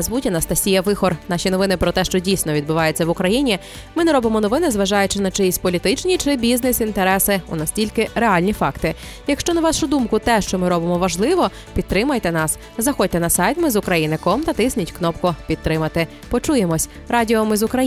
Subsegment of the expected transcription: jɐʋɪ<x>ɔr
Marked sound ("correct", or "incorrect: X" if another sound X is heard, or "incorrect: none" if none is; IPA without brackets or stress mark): correct